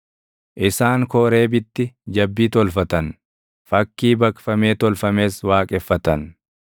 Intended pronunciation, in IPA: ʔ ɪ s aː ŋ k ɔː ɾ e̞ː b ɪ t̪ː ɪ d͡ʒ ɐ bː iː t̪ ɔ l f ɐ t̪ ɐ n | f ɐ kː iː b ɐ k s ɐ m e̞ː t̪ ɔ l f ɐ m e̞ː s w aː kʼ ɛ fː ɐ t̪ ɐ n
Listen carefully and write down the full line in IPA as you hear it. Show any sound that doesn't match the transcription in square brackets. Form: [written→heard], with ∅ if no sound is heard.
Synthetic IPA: ʔ ɪ s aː ŋ k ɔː ɾ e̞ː b ɪ t̪ː ɪ d͡ʒ ɐ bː iː t̪ ɔ l f ɐ t̪ ɐ n | f ɐ kː iː b ɐ k [s→f] ɐ m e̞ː t̪ ɔ l f ɐ m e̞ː s w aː kʼ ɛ fː ɐ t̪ ɐ n

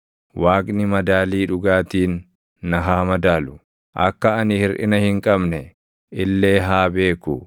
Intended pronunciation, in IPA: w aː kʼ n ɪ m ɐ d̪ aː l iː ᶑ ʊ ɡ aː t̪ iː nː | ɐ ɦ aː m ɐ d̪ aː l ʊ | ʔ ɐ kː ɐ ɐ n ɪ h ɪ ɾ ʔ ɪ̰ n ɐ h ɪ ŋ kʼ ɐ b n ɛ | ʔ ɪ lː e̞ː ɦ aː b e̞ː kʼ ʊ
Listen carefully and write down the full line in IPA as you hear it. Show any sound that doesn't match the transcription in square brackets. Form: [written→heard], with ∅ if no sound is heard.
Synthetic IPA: w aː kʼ n ɪ m ɐ d̪ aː l iː ᶑ ʊ ɡ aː t̪ iː nː | ɐ ɦ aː m ɐ d̪ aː l ʊ | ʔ ɐ kː ɐ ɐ n ɪ h ɪ ɾ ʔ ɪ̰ n ɐ h ɪ ŋ kʼ ɐ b n ɛ | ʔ ɪ lː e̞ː ɦ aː b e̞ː [kʼ→k] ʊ

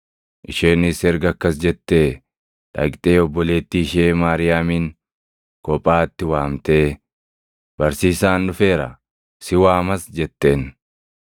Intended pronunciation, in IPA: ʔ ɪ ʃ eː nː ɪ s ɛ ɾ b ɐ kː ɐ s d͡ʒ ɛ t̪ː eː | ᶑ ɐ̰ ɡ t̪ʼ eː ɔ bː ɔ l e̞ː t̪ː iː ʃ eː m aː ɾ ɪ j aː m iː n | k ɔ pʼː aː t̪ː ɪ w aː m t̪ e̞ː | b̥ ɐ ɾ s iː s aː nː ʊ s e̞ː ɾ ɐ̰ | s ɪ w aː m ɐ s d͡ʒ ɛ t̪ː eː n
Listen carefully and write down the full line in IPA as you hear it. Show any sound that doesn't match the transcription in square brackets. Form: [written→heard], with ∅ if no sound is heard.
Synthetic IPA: ʔ ɪ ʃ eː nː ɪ s ɛ ɾ [b→ɡ] ɐ kː ɐ s d͡ʒ ɛ t̪ː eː | ᶑ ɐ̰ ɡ t̪ʼ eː ɔ bː ɔ l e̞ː t̪ː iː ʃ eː m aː ɾ ɪ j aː m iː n | k ɔ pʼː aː t̪ː ɪ w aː m t̪ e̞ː | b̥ ɐ ɾ s iː s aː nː ʊ [s→f] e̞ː ɾ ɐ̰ | s ɪ w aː m ɐ s d͡ʒ ɛ t̪ː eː n

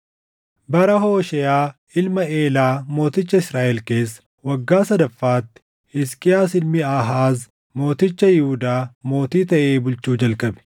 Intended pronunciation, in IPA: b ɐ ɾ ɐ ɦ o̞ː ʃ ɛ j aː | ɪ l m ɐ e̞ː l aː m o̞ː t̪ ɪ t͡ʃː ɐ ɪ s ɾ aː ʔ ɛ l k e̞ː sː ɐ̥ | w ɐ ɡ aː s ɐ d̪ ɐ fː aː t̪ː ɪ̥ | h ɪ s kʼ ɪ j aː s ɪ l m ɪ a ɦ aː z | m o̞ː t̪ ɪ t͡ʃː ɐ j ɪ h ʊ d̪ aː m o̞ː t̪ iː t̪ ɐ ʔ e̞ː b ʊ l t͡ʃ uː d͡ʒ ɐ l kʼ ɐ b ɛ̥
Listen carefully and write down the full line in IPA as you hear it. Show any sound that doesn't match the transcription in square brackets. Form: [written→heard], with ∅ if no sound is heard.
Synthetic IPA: b ɐ ɾ ɐ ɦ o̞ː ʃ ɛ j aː | ɪ l m ɐ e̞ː l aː m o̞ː t̪ ɪ t͡ʃː ɐ ɪ s ɾ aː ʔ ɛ l k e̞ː sː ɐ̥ | w ɐ [ɡ→ɡː] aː s ɐ d̪ ɐ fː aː t̪ː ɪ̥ | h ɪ s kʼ ɪ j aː s ɪ l m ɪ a ɦ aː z | m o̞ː t̪ ɪ t͡ʃː ɐ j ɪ h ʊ d̪ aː m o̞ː t̪ iː t̪ ɐ ʔ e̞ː b ʊ l t͡ʃ uː d͡ʒ ɐ l kʼ ɐ b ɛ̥

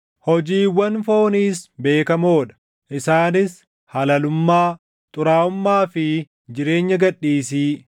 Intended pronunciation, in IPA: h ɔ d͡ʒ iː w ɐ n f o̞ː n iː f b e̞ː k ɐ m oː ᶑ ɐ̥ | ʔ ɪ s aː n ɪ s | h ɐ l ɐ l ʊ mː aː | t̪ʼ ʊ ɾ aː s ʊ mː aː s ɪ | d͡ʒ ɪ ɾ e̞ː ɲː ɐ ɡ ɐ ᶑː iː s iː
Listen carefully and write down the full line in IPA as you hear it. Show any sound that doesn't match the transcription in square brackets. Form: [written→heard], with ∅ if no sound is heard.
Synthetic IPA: h ɔ d͡ʒ iː w ɐ n f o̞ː n iː [f→s] b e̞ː k ɐ m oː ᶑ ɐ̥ | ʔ ɪ s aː n ɪ s | h ɐ l ɐ l ʊ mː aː | t̪ʼ ʊ ɾ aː [s→∅] ʊ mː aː [s→f] ɪ | d͡ʒ ɪ ɾ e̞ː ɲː ɐ ɡ ɐ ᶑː iː s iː

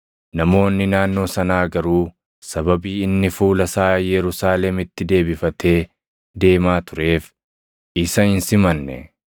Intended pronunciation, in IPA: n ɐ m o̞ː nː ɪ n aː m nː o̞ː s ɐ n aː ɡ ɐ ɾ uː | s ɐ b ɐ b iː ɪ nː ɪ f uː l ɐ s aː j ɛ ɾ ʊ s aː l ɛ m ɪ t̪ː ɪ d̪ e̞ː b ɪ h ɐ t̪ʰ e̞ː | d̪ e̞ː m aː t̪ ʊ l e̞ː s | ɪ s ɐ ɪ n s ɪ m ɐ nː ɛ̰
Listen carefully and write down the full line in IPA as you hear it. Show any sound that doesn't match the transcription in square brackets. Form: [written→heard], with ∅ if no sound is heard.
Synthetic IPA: n ɐ m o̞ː nː ɪ n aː [m→∅] nː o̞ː s ɐ n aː ɡ ɐ ɾ uː | s ɐ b ɐ b iː ɪ nː ɪ f uː l ɐ s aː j ɛ ɾ ʊ s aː l ɛ m ɪ t̪ː ɪ d̪ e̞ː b ɪ [h→f] ɐ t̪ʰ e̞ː | d̪ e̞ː m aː t̪ ʊ [l→ɾ] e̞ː [s→f] | ɪ s ɐ ɪ n s ɪ m ɐ nː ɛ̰

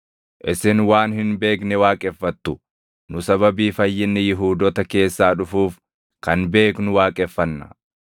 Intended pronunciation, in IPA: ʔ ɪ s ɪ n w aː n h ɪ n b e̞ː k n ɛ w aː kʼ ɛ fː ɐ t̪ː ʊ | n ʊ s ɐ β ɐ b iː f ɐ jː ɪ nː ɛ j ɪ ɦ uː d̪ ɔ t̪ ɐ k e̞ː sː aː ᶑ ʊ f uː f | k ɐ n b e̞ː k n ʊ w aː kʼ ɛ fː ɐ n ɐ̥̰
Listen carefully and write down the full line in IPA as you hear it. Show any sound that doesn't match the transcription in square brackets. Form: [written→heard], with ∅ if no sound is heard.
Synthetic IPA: ʔ ɪ s ɪ n w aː n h ɪ n b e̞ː k n ɛ w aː kʼ ɛ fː ɐ t̪ː ʊ | n ʊ s ɐ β ɐ b iː f ɐ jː ɪ nː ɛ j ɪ ɦ uː d̪ ɔ t̪ ɐ k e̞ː sː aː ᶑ ʊ f uː f | k ɐ n b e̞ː k n ʊ w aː kʼ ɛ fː ɐ [n→nː] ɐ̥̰

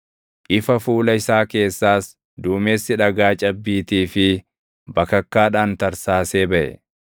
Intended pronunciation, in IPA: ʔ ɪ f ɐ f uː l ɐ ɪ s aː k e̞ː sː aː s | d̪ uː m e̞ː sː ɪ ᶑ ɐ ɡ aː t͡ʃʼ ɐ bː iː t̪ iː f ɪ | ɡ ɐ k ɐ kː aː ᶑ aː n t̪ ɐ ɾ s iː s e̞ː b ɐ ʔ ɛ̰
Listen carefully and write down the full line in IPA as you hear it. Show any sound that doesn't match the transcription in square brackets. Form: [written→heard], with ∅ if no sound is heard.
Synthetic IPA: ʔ ɪ f ɐ f uː l ɐ ɪ s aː k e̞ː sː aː s | d̪ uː m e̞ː sː ɪ ᶑ ɐ ɡ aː t͡ʃʼ ɐ bː iː t̪ iː f ɪ | [ɡ→b] ɐ k ɐ kː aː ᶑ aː n t̪ ɐ ɾ s [iː→aː] s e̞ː b ɐ ʔ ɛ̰

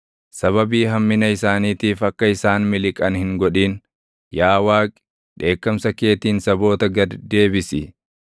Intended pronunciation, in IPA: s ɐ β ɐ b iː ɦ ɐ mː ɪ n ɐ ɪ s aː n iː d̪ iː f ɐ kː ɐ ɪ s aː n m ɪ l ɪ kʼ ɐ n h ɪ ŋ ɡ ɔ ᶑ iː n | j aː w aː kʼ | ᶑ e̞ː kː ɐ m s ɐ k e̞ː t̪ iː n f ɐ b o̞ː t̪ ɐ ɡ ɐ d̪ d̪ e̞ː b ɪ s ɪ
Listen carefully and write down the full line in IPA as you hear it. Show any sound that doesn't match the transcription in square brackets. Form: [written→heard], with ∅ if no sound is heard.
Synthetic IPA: s ɐ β ɐ b iː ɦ ɐ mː ɪ n ɐ ɪ s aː n iː [d̪→t̪] iː f ɐ kː ɐ ɪ s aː n m ɪ l ɪ kʼ ɐ n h ɪ ŋ ɡ ɔ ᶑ iː n | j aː w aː kʼ | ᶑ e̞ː kː ɐ m s ɐ k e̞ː t̪ iː n [f→s] ɐ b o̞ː t̪ ɐ ɡ ɐ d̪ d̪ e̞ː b ɪ s ɪ

